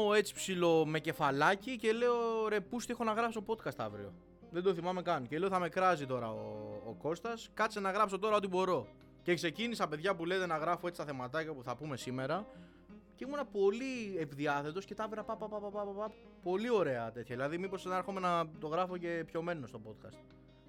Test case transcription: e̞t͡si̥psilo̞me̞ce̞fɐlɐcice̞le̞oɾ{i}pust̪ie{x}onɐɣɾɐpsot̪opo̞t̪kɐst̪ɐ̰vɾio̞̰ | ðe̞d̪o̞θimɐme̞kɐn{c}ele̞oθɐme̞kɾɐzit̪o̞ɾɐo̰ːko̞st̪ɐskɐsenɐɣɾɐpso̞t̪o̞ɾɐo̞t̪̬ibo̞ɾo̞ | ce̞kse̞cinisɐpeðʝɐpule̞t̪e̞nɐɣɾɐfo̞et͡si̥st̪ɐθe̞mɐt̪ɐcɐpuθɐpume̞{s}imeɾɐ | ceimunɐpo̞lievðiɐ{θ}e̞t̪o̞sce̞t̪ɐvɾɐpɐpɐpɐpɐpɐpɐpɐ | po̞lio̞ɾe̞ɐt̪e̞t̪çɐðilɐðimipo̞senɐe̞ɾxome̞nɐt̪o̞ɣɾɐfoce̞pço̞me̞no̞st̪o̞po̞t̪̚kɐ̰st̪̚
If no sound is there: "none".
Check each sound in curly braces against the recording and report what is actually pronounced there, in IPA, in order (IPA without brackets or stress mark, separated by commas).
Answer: e, x, c, s, θ